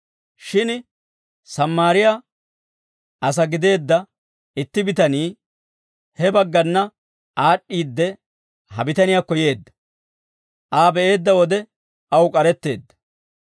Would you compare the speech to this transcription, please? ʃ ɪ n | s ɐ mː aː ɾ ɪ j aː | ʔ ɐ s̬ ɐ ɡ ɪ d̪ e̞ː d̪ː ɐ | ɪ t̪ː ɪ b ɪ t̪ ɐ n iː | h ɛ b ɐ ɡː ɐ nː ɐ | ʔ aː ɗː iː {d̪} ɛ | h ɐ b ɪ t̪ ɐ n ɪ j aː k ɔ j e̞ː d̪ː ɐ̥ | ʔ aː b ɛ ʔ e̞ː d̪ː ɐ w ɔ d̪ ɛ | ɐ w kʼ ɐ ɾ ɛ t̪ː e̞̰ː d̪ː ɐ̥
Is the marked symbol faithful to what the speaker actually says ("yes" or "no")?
no